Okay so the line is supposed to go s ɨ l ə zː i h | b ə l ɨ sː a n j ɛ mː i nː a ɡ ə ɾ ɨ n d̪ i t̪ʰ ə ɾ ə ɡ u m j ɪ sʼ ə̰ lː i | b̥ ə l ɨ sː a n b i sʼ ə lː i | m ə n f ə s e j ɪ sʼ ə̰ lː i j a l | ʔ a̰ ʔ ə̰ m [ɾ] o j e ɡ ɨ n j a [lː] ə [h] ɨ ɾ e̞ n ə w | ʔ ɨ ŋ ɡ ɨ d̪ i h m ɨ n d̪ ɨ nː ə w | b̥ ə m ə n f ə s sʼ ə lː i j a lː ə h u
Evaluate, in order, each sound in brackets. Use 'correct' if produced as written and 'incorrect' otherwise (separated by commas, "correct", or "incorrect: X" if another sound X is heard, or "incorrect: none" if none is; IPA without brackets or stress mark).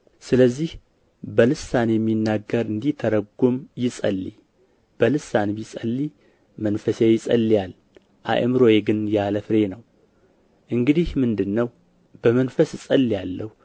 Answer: correct, incorrect: l, incorrect: f